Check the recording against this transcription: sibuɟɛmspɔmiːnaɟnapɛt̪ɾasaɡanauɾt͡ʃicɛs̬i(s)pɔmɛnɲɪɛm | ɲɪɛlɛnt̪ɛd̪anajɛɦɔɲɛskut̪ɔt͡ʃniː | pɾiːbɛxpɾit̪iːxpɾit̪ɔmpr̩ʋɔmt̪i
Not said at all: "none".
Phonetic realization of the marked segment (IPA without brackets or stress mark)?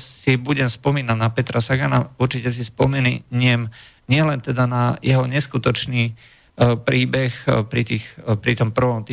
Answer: s